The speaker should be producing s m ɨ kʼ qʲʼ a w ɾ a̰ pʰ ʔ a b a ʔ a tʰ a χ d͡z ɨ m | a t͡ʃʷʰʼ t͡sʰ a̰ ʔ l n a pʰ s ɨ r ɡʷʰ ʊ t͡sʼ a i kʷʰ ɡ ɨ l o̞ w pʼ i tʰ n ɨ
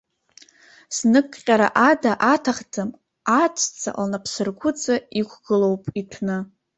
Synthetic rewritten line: s n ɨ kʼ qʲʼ a ɾ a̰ ʔ a d a ʔ a tʰ a χ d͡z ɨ m | a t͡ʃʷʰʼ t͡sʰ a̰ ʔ l n a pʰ s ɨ r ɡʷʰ ʊ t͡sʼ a i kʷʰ ɡ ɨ l o̞ w pʼ i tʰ n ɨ